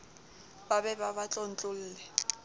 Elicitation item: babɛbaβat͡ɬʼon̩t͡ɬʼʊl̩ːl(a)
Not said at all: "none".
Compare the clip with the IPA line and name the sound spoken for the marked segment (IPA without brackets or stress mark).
ɛ